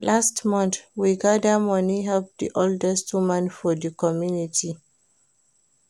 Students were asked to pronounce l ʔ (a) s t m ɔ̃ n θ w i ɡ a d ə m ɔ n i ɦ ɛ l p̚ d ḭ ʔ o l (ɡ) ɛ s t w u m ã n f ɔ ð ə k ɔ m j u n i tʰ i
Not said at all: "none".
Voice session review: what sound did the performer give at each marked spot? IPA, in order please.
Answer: a, d

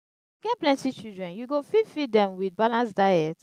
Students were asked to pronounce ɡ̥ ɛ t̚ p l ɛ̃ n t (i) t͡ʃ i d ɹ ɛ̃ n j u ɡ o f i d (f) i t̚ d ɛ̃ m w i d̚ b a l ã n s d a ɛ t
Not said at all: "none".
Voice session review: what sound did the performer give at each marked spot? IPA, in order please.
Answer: i, f

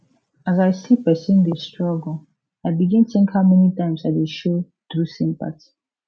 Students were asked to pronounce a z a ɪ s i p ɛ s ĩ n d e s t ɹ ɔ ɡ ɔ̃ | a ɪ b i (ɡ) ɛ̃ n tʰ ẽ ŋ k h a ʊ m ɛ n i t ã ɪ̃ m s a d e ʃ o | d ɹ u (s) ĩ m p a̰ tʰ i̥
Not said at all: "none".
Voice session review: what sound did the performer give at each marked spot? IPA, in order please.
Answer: ɡ, s

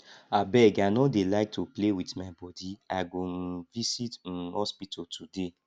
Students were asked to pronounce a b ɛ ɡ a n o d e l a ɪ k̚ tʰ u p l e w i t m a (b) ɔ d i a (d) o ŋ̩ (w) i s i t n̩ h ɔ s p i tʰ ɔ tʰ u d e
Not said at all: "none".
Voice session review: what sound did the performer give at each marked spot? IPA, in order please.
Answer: b, ɡ, v

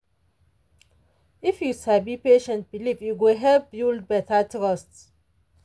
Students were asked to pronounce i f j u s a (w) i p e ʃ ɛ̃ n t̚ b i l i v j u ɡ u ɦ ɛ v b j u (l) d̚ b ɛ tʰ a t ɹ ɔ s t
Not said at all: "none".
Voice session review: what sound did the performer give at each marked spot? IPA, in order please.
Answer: b, l

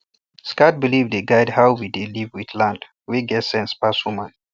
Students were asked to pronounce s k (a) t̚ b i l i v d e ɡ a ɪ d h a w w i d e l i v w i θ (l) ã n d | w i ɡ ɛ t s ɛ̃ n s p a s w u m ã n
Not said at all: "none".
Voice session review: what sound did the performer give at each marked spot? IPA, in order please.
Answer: a, l

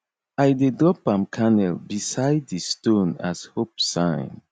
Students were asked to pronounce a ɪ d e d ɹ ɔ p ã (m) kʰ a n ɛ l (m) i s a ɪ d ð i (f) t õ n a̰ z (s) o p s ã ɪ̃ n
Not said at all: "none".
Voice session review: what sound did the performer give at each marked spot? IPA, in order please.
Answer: m, b, s, h

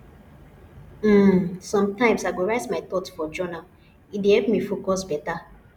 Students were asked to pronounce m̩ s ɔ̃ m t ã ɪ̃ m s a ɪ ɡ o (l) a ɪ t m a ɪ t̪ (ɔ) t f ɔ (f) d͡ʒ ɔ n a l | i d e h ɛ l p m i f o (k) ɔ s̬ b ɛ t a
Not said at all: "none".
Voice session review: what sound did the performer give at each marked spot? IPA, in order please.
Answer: ɹ, ɔ, none, k

